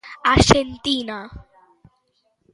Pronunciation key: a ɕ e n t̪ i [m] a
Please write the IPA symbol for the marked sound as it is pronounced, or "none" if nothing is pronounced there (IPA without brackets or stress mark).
n